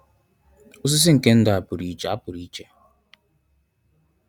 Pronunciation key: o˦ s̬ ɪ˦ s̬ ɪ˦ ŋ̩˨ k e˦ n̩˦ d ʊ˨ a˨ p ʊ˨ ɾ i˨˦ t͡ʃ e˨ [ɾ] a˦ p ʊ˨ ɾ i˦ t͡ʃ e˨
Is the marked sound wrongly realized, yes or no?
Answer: yes